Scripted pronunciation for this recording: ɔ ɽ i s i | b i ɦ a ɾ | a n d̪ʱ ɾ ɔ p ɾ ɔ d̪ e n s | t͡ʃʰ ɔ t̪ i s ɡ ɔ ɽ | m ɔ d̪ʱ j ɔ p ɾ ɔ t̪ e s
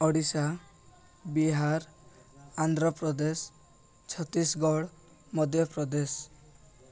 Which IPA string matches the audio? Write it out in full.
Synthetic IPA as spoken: ɔ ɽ i s a | b i ɦ a ɾ | a n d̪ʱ ɾ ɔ p ɾ ɔ d̪ e s | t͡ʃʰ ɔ t̪ i s ɡ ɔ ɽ | m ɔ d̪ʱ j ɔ p ɾ ɔ d̪ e s

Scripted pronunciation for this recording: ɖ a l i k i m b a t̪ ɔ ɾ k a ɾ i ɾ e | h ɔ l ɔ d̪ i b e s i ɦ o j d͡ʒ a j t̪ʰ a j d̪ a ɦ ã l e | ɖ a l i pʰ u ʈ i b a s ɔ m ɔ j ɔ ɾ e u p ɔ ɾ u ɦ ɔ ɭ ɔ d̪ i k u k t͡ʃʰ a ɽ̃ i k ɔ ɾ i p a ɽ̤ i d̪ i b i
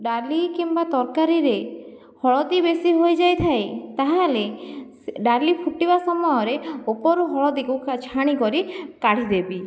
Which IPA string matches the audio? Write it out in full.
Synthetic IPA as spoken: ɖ a l i k i m b a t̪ ɔ ɾ k a ɾ i ɾ e | h ɔ ɭ ɔ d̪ i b e s i ɦ o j d͡ʒ a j t̪ʰ a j t̪ a ɦ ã l e | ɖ a l i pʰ u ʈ i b a s ɔ m ɔ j ɔ ɾ e o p ɔ ɾ u ɦ ɔ ɭ ɔ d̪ i k u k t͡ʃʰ a ɽ̃ i k ɔ ɾ i k a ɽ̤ i d̪ e b i

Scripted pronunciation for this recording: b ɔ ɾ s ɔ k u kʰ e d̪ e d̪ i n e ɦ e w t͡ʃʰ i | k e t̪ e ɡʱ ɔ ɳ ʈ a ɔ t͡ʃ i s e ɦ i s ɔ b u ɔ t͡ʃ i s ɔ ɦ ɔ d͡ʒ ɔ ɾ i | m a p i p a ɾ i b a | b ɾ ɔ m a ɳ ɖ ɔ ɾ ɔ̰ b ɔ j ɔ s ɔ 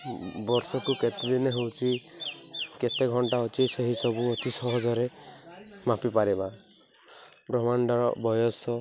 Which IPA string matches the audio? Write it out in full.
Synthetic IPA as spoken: b ɔ ɾ s ɔ k u k e t̪ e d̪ i n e ɦ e w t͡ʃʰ i | k e t̪ e ɡʱ ɔ ɳ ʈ a ɔ t͡ʃ i s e ɦ i s ɔ b u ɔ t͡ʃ i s ɔ ɦ ɔ d͡ʒ ɔ ɾ e | m a p i p a ɾ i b a | b ɾ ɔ m a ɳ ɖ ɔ ɾ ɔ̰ b ɔ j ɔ s ɔ

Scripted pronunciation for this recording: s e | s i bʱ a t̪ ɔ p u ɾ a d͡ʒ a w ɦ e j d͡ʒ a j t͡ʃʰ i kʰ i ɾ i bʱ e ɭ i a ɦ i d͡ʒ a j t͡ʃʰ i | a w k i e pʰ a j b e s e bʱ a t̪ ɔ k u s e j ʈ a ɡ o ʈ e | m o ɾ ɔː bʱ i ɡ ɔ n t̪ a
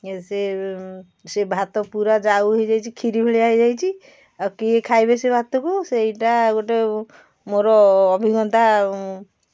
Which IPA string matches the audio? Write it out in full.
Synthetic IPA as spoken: s e | s e bʱ a t̪ ɔ p u ɾ a d͡ʒ a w ɦ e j d͡ʒ a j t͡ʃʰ i kʰ i ɾ i bʱ e ɭ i a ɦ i d͡ʒ a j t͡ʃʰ i | a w k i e kʰ a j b e s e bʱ a t̪ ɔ k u s e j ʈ a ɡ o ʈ e | m o ɾ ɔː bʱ i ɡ ɔ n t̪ a

